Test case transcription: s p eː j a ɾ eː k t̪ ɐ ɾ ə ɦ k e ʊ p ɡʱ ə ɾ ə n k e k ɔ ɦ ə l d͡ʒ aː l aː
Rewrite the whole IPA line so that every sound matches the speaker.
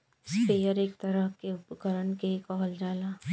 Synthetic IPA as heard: s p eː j ə ɾ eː k t̪ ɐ ɾ ə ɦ k e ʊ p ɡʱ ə ɾ ə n k e k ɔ ɦ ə l d͡ʒ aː l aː